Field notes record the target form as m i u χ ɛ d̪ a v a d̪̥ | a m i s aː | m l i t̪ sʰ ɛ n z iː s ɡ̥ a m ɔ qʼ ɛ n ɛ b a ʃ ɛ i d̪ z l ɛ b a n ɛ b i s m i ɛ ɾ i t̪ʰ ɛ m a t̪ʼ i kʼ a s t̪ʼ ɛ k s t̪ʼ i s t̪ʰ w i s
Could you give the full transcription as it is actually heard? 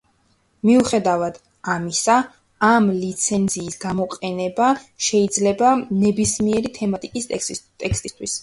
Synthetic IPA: m i u χ ɛ d̪ a v a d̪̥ | a m i s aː | m l i t̪ sʰ ɛ n z iː s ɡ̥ a m ɔ qʼ ɛ n ɛ b a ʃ ɛ i d̪ z l ɛ b a n ɛ b i s m i ɛ ɾ i t̪ʰ ɛ m a t̪ʼ i kʼ i s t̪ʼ ɛ k s t̪ʼ i s t̪ʰ w i s